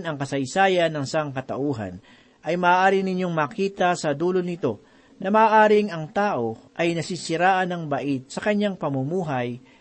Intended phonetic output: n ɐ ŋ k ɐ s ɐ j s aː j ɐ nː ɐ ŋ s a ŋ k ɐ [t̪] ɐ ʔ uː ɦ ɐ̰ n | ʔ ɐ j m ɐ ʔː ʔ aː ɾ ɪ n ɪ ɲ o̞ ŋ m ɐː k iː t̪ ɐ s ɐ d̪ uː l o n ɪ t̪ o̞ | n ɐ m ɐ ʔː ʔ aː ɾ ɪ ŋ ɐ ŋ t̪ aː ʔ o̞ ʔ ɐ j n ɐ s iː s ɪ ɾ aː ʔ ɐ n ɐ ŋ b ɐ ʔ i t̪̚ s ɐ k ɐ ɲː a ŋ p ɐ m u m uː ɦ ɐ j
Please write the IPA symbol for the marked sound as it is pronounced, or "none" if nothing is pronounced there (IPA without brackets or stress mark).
t̪